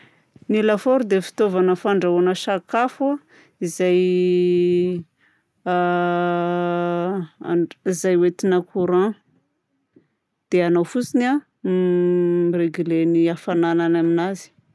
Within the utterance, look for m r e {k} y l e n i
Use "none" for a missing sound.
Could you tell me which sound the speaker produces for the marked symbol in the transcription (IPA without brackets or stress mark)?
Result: ɡ